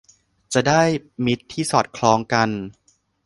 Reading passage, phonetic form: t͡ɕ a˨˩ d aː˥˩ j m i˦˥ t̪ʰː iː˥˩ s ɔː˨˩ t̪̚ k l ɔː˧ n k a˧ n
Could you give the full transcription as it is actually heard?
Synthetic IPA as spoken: t͡ɕ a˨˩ d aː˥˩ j m i˦˥ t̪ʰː iː˥˩ s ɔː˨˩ t̪̚ kʰ l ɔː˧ ŋ k a˧ n